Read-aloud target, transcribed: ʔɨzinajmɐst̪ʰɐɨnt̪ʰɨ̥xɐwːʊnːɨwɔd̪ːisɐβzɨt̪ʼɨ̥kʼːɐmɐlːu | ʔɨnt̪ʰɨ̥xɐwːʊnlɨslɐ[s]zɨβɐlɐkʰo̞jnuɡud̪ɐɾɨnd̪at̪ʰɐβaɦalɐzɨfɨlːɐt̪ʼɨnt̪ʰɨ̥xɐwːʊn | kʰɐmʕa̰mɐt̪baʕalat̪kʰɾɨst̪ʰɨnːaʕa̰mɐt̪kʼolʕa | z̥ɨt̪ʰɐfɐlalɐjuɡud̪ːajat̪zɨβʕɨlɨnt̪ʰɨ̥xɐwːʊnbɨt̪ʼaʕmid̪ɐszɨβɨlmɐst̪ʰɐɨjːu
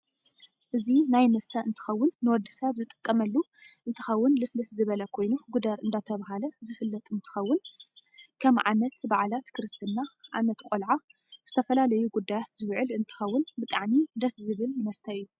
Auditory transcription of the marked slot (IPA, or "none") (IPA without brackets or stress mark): s